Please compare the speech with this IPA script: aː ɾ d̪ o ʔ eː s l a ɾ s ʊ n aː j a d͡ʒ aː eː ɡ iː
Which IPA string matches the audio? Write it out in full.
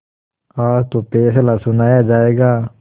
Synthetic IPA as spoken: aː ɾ t̪ o p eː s l a s ʊ n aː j a d͡ʒ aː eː ɡ aː